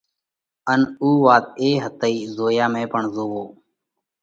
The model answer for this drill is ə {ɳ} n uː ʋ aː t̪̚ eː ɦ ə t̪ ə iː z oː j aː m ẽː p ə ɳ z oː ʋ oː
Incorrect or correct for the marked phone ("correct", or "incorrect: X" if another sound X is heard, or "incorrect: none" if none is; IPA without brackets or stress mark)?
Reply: incorrect: none